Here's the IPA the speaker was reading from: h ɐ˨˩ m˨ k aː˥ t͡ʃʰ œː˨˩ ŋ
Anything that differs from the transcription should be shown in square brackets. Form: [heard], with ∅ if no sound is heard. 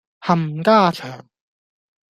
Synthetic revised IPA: h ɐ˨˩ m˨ k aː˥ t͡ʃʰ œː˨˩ ŋ